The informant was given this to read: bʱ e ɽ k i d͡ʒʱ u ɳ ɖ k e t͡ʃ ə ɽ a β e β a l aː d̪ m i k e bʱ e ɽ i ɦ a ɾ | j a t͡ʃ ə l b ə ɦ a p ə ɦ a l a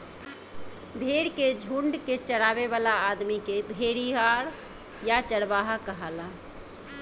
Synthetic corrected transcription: bʱ e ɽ k e d͡ʒʱ u ɳ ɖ k e t͡ʃ ə ɽ a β e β a l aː d̪ m i k e bʱ e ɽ i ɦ a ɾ | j a t͡ʃ ə ɽ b a ɦ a k ə ɦ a l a

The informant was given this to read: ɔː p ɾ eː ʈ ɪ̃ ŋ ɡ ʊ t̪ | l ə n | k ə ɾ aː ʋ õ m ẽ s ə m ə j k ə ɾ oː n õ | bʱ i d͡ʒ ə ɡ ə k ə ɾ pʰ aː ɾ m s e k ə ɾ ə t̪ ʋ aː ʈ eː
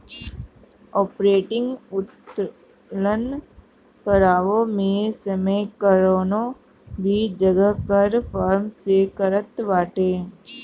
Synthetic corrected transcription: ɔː p ɾ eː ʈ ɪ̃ ŋ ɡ ʊ t̪ | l ə n | k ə ɾ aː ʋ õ m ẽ s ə m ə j k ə ɾ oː n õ | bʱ i d͡ʒ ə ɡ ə k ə ɾ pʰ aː ɾ m s e k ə ɾ ə t̪ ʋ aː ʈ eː

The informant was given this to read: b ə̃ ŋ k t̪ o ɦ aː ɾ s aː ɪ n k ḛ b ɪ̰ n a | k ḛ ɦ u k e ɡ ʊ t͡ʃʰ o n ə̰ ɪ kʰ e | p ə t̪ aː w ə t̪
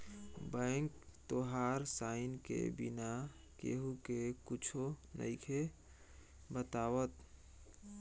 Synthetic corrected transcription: b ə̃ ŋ k t̪ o ɦ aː ɾ s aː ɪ n k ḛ b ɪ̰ n a | k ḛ ɦ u k e k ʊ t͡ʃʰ o n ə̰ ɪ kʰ e | b ə t̪ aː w ə t̪

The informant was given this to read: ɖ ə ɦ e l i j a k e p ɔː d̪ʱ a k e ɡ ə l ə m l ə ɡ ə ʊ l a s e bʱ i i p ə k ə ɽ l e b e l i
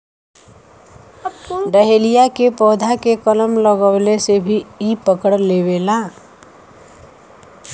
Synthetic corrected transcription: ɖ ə ɦ e l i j a k e p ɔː d̪ʱ a k e k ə l ə m l ə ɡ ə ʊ l e s e bʱ i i p ə k ə ɽ l e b e l a

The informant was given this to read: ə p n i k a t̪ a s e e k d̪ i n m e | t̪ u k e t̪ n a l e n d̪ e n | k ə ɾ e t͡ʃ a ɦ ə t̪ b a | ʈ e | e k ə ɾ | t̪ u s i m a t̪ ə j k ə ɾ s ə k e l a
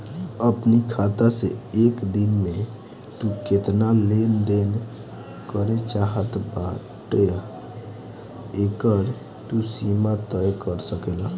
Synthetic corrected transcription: ə p n i kʰ a t̪ a s e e k d̪ i n m e | t̪ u k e t̪ n a l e n d̪ e n | k ə ɾ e t͡ʃ a ɦ ə t̪ b a | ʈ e | e k ə ɾ | t̪ u s i m a t̪ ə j k ə ɾ s ə k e l a

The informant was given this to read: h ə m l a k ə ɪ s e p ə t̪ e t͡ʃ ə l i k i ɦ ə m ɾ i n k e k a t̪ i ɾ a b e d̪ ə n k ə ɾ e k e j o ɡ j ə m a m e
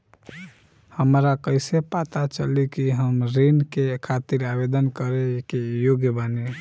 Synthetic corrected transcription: h ə m ɾ a k ə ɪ s e p a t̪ a t͡ʃ ə l i k i ɦ ə m ɾ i n k e kʰ a t̪ i ɾ a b e d̪ ə n k ə ɾ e k e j o ɡ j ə b a n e

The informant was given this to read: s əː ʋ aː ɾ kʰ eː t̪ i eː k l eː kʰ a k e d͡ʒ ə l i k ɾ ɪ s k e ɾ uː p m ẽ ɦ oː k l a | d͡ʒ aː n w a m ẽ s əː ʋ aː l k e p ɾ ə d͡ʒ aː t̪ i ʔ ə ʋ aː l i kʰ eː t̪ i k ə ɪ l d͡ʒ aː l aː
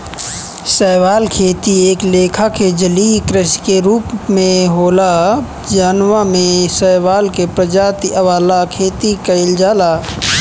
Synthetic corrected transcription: s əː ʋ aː l kʰ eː t̪ i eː k l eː kʰ a k e d͡ʒ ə l i k ɾ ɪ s k e ɾ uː p m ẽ ɦ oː l a | d͡ʒ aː n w a m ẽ s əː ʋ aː l k e p ɾ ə d͡ʒ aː t̪ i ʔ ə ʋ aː l a kʰ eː t̪ i k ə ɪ l d͡ʒ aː l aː

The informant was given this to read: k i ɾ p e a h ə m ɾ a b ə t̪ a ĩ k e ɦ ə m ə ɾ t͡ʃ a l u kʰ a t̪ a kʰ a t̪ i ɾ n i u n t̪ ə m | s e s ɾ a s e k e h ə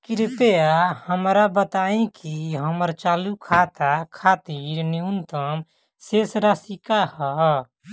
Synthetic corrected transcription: k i ɾ p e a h ə m ɾ a b ə t̪ a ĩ k i ɦ ə m ə ɾ t͡ʃ a l u kʰ a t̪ a kʰ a t̪ i ɾ n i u n t̪ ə m | s e s ɾ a s i k a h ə

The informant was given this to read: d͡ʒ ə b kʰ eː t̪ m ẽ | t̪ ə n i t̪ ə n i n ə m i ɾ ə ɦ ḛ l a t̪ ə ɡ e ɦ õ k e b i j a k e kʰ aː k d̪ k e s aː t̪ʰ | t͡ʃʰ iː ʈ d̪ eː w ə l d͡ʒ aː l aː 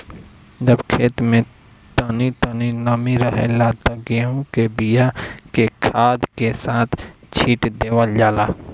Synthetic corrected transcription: d͡ʒ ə b kʰ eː t̪ m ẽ | t̪ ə n i t̪ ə n i n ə m i ɾ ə ɦ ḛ l a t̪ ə ɡ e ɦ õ k e b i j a k e kʰ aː d̪ k e s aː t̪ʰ | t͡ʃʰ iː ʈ d̪ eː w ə l d͡ʒ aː l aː

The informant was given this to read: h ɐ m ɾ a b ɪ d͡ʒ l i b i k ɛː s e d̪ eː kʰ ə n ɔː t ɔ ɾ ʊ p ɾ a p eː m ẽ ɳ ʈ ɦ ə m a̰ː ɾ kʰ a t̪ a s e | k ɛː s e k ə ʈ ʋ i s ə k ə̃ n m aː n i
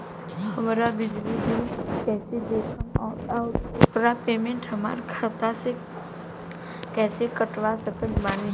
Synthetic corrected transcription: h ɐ m ɾ a b ɪ d͡ʒ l i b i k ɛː s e d̪ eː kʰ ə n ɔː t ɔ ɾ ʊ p ɾ a p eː m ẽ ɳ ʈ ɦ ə m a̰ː ɾ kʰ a t̪ a s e | k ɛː s e k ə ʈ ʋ a s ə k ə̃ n m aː n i

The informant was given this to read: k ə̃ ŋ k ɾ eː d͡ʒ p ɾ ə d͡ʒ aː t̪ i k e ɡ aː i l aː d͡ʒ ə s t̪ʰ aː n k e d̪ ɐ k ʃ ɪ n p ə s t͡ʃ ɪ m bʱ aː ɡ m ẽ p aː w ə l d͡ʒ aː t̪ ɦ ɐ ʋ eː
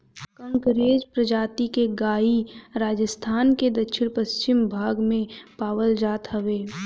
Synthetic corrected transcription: k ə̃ ŋ k ɾ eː d͡ʒ p ɾ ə d͡ʒ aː t̪ i k e ɡ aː i ɾ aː d͡ʒ ə s t̪ʰ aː n k e d̪ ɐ k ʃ ɪ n p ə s t͡ʃ ɪ m bʱ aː ɡ m ẽ p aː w ə l d͡ʒ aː t̪ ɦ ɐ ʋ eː

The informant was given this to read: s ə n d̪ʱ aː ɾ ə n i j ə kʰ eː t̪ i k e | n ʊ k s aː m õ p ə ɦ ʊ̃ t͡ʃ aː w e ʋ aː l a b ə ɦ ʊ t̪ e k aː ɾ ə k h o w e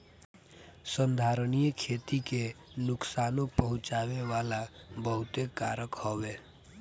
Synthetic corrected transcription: s ə n d̪ʱ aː ɾ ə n i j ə kʰ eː t̪ i k e | n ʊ k s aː n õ p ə ɦ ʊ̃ t͡ʃ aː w e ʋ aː l a b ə ɦ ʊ t̪ e k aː ɾ ə k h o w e

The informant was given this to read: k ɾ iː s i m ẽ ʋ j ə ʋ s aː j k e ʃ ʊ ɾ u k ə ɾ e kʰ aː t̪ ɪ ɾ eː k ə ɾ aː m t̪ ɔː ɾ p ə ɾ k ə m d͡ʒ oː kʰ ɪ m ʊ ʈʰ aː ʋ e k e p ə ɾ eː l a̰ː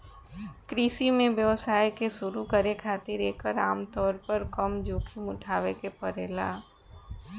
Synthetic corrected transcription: k ɾ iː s i m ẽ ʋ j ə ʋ s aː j k e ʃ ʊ ɾ u k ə ɾ e kʰ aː t̪ ɪ ɾ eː k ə ɾ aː m t̪ ɔː ɾ p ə ɾ k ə m d͡ʒ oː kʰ i m ʊ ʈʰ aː ʋ e k e p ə ɾ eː l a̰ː

